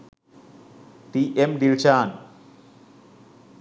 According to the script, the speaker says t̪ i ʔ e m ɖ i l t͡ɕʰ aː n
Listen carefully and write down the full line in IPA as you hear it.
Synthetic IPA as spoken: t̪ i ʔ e m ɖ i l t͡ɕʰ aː n